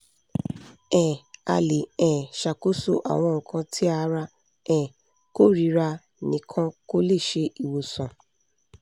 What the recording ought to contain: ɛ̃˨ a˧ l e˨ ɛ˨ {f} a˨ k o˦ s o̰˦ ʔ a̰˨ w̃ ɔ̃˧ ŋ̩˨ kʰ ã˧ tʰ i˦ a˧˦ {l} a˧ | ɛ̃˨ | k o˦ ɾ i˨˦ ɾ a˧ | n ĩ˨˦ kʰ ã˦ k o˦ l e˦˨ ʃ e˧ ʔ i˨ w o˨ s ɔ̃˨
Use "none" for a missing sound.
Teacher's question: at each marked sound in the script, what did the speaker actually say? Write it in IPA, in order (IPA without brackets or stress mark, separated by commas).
ʃ, ɾ